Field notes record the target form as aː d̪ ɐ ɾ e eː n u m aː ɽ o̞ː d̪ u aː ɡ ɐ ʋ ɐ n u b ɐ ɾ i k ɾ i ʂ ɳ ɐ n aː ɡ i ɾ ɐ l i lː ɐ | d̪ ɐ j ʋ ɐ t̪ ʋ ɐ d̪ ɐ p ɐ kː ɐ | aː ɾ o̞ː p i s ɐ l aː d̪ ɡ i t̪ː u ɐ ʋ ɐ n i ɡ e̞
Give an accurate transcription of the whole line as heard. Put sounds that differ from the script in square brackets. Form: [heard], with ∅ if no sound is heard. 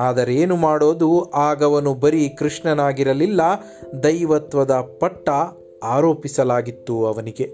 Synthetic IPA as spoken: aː d̪ ɐ ɾ e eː n u m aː ɽ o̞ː d̪ u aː ɡ ɐ ʋ ɐ n u b ɐ ɾ i k ɾ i ʂ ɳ ɐ n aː ɡ i ɾ ɐ l i lː ɐ | d̪ ɐ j ʋ ɐ t̪ ʋ ɐ d̪ ɐ p ɐ [ʈː] ɐ | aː ɾ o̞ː p i s ɐ l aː [∅] ɡ i t̪ː u ɐ ʋ ɐ n i ɡ e̞